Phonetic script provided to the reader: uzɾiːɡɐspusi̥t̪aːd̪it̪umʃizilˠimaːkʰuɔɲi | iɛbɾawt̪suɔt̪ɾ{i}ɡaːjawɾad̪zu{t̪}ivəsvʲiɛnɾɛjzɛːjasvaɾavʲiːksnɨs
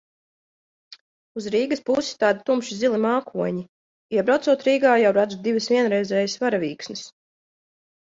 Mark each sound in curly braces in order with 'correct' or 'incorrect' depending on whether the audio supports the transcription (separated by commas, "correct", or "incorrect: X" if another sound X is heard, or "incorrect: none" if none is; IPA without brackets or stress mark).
incorrect: iː, incorrect: d̪